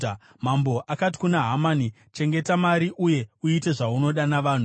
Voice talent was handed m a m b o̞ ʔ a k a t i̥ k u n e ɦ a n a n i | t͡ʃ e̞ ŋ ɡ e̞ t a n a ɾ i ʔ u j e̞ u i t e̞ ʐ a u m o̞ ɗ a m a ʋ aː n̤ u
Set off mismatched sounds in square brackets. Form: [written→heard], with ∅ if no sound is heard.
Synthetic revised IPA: m a m b o̞ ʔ a k a t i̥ k u n [e→a] ɦ a [n→m] a n i | t͡ʃ e̞ ŋ ɡ e̞ t a [n→m] a ɾ i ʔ u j e̞ u i t e̞ ʐ a u [m→n] o̞ ɗ a [m→n] a ʋ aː n̤ u